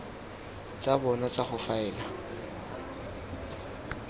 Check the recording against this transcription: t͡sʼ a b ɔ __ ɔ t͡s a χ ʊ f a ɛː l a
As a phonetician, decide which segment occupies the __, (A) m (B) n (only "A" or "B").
B